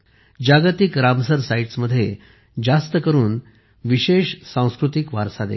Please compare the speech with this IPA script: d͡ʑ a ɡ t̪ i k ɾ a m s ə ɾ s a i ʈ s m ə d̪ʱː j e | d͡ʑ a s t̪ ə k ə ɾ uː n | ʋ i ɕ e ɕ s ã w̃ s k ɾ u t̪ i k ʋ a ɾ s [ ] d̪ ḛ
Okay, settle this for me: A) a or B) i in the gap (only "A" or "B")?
A